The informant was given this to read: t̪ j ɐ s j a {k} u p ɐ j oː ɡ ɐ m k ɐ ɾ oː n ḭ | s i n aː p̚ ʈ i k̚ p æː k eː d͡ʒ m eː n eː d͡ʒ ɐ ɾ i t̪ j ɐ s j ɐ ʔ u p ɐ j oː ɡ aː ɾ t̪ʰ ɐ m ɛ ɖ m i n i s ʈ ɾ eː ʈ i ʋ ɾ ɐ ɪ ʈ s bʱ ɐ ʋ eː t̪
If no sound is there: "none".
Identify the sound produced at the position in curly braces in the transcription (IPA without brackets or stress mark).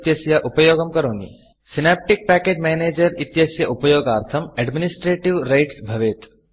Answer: ʔ